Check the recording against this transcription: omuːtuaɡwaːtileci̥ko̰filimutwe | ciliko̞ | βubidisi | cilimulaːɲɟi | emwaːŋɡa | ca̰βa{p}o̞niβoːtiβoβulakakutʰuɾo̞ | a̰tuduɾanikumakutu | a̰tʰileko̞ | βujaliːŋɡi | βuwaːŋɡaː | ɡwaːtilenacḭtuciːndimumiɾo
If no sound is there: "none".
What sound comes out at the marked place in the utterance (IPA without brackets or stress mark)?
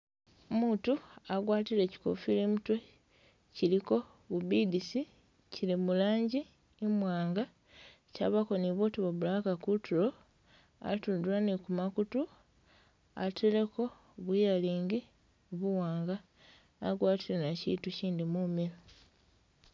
k